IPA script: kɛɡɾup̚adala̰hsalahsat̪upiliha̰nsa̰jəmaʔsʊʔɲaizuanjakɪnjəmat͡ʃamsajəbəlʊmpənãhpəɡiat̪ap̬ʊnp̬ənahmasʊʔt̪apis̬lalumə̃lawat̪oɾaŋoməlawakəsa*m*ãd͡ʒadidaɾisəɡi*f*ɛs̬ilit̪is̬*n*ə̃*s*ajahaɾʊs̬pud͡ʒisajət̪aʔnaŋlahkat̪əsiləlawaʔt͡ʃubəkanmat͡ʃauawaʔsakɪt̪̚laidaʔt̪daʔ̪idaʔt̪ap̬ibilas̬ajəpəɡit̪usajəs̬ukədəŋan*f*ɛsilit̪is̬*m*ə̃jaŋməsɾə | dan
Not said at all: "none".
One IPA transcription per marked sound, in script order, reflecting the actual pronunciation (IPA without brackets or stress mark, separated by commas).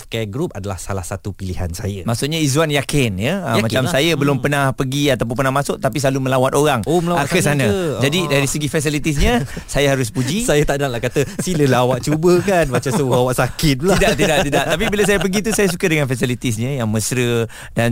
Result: n, f, ɲ, s, f, ɲ